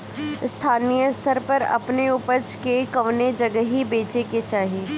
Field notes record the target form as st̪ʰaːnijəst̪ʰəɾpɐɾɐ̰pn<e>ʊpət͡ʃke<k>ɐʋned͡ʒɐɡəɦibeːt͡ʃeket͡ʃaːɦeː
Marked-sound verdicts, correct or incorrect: correct, correct

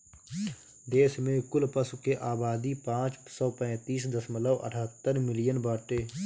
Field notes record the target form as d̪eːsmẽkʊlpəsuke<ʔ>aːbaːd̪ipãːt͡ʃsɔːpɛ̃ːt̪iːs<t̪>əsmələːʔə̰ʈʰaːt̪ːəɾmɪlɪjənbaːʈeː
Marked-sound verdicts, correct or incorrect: correct, incorrect

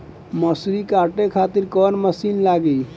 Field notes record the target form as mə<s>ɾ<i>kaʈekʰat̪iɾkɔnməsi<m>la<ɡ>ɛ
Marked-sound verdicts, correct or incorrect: correct, correct, incorrect, correct

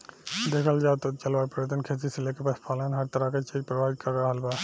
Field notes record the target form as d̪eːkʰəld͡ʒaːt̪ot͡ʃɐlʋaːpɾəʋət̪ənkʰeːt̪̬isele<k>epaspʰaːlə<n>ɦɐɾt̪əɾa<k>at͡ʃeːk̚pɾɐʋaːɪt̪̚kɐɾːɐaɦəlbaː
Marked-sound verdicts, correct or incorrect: correct, correct, correct

